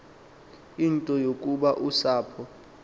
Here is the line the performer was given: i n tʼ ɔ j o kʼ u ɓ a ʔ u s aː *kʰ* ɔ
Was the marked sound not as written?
yes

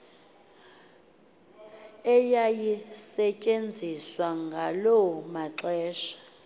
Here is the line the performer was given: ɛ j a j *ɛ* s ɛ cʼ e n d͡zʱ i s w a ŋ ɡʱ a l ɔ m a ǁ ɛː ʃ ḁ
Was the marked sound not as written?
yes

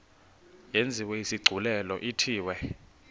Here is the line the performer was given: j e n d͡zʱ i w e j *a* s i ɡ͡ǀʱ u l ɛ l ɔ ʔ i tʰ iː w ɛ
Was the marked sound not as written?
yes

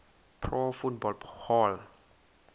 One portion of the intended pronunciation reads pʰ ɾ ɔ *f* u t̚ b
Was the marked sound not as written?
no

